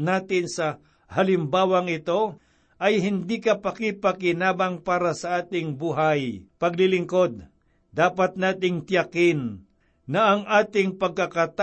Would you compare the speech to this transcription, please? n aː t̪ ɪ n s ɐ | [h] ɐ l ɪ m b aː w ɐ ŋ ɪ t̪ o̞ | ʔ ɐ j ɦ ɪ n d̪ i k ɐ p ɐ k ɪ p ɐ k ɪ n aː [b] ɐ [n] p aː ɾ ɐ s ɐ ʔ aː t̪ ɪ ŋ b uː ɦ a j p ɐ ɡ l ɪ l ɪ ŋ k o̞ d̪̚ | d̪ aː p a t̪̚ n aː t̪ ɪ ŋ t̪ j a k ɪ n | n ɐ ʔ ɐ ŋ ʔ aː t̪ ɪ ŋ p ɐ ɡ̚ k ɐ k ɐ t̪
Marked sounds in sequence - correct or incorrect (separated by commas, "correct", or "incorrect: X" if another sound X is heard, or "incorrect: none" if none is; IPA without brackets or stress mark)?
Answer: correct, correct, incorrect: ŋ